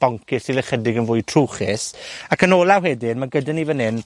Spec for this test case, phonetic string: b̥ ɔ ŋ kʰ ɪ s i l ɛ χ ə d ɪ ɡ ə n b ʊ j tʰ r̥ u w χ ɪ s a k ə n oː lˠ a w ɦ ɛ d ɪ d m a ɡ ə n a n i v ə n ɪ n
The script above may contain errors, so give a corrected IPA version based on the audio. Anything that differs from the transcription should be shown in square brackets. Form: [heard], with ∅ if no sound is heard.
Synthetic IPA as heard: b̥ ɔ ŋ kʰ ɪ s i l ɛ χ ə d ɪ ɡ ə n [v] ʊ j tʰ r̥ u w χ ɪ s a k ə n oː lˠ a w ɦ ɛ d ɪ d m a ɡ ə [d] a n i v ə n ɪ n